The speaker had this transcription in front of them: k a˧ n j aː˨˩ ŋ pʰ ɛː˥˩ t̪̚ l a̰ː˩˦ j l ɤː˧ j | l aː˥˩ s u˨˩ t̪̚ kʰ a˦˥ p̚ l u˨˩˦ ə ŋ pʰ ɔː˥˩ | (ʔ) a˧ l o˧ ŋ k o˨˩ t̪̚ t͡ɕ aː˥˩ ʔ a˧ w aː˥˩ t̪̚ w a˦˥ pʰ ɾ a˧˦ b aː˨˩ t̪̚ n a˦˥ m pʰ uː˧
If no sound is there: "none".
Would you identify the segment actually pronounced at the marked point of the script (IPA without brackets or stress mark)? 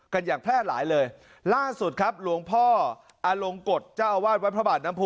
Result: ʔ